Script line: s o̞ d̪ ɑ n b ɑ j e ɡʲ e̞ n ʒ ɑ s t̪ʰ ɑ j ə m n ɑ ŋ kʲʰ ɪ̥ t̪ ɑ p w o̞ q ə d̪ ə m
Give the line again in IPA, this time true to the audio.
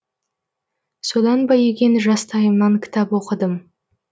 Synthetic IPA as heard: s o̞ d̪ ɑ n b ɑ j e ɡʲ e̞ n ʒ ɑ s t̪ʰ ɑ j ə m n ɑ ŋ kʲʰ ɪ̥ t̪ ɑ p w o̞ q ə d̪ ə m

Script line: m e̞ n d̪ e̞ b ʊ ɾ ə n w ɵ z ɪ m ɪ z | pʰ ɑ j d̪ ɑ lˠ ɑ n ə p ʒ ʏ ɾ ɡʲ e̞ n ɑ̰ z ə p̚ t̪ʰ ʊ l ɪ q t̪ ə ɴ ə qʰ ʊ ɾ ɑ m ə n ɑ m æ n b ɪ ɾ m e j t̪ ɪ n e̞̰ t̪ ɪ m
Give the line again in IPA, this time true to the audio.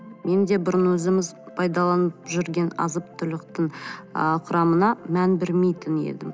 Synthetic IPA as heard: m e̞ n d̪ e̞ b ʊ ɾ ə n w ɵ z ɪ m ɪ z | pʰ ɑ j d̪ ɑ lˠ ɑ n ə p ʒ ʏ ɾ ɡʲ e̞ n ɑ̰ z ə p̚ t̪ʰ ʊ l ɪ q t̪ ə ɴ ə qʰ ʊ ɾ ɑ m ə n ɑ m æ n b ɪ ɾ m e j t̪ ɪ n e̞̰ d̪ ɪ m

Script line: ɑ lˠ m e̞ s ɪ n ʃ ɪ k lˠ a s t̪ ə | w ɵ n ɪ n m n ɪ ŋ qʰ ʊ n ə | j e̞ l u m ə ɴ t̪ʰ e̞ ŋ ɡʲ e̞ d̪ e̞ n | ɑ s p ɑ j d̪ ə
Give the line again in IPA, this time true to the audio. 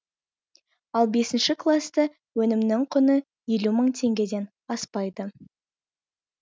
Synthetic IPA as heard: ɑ lˠ b e̞ s ɪ n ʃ ɪ k lˠ a s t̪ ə | w ɵ n ɪ m n ɪ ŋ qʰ ʊ n ə | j e̞ l u m ə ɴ t̪ʰ e̞ ŋ ɡʲ e̞ d̪ e̞ n | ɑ s p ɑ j d̪ ə

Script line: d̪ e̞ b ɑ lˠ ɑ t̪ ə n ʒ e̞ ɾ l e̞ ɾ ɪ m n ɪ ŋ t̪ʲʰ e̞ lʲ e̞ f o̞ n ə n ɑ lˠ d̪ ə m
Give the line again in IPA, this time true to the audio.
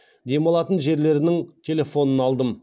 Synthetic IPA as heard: d̪ e̞ m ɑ lˠ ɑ t̪ ə n ʒ e̞ ɾ l e̞ ɾ ɪ n ɪ ŋ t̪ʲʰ e̞ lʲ e̞ f o̞ n ə n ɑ lˠ d̪ ə m

